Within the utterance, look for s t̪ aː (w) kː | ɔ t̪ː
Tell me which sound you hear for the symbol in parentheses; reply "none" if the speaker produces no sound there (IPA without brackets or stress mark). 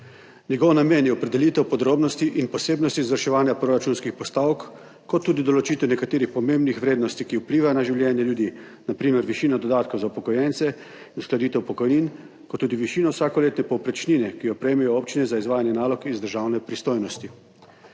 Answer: w